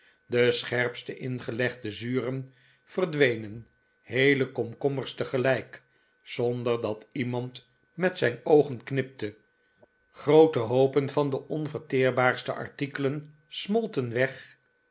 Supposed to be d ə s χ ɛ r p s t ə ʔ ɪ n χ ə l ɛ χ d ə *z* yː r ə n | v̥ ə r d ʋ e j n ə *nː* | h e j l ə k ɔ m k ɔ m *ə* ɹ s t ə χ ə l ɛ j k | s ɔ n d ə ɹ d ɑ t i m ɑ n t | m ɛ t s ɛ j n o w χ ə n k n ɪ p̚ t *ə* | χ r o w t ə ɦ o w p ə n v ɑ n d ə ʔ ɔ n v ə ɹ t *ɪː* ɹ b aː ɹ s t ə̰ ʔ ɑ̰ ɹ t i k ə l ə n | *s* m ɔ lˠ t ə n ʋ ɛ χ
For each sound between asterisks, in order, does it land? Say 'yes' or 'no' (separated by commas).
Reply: yes, no, yes, yes, yes, yes